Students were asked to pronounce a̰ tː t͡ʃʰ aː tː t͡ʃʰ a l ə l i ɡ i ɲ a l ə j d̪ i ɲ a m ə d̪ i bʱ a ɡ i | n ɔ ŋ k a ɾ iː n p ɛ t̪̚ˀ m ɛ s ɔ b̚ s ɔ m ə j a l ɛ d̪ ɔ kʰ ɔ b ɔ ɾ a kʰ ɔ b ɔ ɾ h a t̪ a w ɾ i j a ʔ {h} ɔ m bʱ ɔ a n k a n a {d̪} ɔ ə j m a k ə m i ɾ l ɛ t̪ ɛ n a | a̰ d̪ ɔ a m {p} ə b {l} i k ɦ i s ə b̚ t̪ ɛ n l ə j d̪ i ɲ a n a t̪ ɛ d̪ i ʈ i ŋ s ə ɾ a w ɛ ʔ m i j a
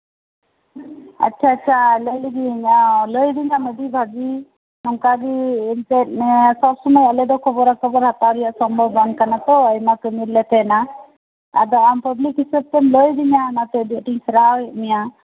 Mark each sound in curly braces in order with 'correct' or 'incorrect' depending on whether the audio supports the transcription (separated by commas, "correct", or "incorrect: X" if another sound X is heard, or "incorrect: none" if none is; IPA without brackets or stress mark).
incorrect: s, incorrect: t̪, correct, correct